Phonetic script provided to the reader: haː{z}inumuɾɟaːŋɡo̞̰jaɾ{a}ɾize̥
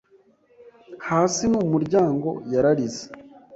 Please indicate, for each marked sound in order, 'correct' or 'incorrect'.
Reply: incorrect: s, correct

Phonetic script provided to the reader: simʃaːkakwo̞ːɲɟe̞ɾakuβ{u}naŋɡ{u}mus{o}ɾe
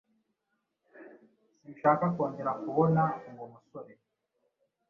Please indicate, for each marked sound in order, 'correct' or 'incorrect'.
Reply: incorrect: o, incorrect: o, correct

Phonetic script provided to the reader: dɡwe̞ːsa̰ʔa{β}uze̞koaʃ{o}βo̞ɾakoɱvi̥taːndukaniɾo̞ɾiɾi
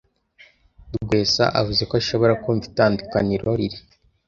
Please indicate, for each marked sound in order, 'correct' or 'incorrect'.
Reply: incorrect: v, correct

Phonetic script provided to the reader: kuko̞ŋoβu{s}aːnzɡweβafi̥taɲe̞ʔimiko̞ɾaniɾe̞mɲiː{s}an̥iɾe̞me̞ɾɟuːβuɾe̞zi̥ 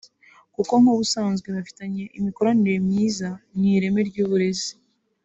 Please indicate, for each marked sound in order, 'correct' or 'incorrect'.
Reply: correct, incorrect: z

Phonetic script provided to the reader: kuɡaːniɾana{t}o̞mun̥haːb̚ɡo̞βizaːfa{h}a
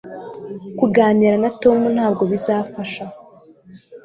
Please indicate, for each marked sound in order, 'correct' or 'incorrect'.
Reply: correct, incorrect: ʃ

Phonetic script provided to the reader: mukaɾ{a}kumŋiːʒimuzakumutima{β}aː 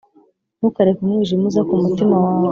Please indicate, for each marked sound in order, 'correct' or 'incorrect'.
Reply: incorrect: e, incorrect: w

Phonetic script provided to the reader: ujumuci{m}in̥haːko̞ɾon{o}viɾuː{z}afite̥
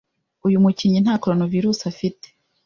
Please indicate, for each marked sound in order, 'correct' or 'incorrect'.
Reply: incorrect: ɲ, correct, incorrect: s

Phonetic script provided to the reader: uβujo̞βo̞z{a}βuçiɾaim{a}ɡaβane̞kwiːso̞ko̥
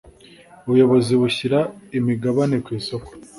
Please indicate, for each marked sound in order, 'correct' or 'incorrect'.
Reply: incorrect: i, incorrect: i

